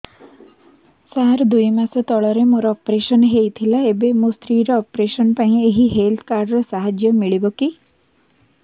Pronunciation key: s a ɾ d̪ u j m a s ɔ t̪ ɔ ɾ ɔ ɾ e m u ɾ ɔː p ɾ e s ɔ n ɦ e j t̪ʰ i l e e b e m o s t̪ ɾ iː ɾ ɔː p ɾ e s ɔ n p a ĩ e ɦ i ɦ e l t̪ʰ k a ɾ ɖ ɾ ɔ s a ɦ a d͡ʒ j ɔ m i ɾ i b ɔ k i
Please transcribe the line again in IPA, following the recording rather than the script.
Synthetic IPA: s a ɾ d̪ u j m a s ɔ t̪ ɔ ɭ ɔ ɾ e m o ɾ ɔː p ɾ e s ɔ n ɦ e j t̪ʰ i l a e b e m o s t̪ ɾ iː ɾ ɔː p ɾ e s ɔ n p a ĩ e ɦ i ɦ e l t̪ʰ k a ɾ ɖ ɾ ɔ s a ɦ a d͡ʒ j ɔ m i ɭ i b ɔ k i